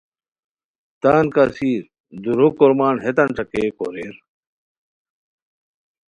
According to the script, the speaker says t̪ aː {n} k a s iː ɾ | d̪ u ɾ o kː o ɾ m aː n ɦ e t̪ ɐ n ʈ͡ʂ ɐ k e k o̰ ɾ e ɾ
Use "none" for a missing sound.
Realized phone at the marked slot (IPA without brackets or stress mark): n